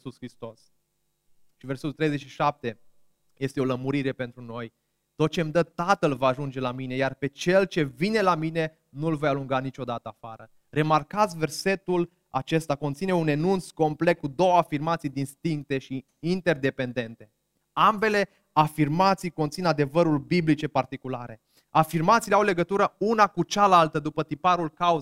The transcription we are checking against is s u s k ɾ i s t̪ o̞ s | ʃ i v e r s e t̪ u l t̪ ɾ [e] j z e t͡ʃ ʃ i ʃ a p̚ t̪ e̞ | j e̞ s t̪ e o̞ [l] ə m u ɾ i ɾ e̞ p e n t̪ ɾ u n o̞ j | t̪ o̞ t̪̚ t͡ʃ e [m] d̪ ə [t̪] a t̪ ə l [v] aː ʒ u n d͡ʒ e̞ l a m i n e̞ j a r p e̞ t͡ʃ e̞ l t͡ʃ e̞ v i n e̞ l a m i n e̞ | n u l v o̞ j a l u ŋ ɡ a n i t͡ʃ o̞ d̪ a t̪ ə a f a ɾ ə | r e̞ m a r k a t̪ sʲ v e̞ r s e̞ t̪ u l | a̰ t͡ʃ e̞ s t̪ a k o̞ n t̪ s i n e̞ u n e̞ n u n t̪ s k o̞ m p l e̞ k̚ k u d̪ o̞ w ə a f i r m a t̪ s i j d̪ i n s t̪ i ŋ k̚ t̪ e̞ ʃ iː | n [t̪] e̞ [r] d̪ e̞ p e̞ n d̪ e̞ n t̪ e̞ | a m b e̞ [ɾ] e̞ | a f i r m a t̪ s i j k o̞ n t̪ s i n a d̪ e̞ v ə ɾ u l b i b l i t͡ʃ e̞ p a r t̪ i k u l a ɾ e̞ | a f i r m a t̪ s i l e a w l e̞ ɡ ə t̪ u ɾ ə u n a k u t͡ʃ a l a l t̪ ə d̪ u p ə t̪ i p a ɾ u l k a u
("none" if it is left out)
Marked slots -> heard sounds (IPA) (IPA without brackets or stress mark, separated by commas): e, l, m, t̪, v, t̪, r, l